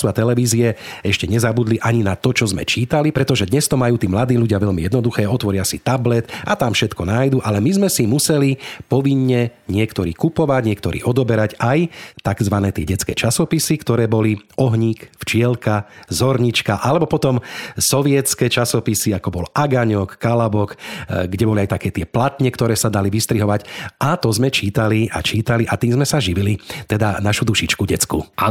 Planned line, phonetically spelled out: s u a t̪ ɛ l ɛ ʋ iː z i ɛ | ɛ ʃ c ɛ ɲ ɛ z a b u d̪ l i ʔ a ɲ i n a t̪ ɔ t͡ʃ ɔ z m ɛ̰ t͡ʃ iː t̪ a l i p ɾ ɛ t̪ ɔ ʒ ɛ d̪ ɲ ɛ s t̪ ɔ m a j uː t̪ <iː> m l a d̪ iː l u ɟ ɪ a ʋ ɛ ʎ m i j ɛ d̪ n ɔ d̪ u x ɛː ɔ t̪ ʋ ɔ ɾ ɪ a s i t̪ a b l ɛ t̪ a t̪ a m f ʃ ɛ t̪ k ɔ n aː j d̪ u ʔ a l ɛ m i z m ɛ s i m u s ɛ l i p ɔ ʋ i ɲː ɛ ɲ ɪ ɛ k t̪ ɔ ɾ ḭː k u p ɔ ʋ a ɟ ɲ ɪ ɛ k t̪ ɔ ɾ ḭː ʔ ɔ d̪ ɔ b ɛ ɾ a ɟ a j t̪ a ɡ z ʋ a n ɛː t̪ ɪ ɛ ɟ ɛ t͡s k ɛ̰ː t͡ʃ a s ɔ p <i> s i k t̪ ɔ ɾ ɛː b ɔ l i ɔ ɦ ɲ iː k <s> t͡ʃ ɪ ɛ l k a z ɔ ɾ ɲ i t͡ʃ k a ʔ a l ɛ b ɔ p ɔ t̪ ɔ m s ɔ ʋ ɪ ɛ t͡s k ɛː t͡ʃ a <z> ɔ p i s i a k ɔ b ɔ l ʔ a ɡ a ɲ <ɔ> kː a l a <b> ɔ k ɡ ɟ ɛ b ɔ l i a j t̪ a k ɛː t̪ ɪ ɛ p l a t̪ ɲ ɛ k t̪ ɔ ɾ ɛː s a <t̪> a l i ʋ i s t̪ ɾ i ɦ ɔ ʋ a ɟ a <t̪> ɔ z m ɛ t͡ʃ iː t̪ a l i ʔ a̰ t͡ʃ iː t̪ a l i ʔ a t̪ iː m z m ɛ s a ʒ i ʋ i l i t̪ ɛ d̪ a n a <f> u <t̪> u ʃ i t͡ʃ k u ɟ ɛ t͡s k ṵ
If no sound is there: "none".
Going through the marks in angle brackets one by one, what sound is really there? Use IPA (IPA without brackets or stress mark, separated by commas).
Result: iː, i, f, s, ɔ, b, d̪, t̪, ʃ, d̪